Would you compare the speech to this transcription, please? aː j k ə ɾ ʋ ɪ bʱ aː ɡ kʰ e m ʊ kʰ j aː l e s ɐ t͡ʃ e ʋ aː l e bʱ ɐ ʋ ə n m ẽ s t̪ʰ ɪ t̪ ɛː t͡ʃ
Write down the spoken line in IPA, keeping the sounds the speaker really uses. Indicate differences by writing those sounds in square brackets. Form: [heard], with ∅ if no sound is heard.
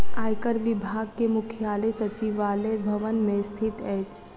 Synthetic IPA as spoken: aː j k ə ɾ ʋ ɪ bʱ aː ɡ [k] e m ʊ kʰ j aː l e s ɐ t͡ʃ [i] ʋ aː l e bʱ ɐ ʋ ə n m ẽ s t̪ʰ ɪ t̪ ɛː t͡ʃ